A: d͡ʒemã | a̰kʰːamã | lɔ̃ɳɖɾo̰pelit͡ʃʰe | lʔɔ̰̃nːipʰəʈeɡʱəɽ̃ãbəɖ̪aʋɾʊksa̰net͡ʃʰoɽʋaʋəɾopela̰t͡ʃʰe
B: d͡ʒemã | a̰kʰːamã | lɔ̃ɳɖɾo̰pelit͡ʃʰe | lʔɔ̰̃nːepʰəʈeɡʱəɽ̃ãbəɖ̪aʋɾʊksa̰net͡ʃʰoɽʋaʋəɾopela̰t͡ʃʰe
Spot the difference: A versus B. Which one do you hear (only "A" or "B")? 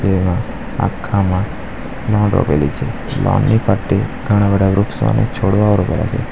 A